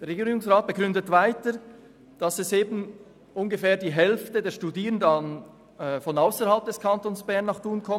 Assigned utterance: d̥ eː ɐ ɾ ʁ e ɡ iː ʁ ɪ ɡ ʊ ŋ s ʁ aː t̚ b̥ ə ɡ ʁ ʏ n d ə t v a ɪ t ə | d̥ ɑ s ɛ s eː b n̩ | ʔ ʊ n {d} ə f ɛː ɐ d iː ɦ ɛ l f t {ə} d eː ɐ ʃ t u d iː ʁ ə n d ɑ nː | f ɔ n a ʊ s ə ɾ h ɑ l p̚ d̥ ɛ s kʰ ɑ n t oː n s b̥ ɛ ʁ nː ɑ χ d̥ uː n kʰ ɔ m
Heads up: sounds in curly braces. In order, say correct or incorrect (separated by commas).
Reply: incorrect, correct